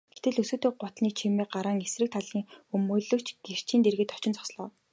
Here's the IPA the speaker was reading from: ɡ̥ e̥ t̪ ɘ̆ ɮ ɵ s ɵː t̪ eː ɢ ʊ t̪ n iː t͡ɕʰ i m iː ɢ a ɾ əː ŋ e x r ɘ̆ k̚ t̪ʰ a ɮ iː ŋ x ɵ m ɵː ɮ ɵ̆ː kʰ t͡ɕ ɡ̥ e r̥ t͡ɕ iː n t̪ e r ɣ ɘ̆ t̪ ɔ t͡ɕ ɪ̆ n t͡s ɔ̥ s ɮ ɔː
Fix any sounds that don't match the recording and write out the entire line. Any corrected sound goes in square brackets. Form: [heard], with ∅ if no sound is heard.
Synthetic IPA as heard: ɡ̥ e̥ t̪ ɘ̆ ɮ ɵ s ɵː t̪ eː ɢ ʊ t̪ n iː t͡ɕʰ i m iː ɢ a ɾ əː ŋ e [s] r ɘ̆ k̚ t̪ʰ a ɮ iː ŋ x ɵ m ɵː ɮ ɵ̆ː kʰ t͡ɕ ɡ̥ e r̥ t͡ɕ iː n t̪ e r ɣ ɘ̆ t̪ ɔ t͡ɕ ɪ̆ n t͡s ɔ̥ s ɮ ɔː